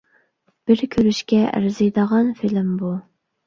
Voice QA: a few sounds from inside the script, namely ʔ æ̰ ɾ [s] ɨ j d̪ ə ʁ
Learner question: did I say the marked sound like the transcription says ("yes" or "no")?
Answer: no